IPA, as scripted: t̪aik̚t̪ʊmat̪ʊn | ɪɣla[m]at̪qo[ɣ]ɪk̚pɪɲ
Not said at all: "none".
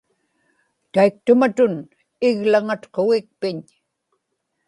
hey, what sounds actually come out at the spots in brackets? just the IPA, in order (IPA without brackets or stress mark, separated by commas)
ŋ, ɣ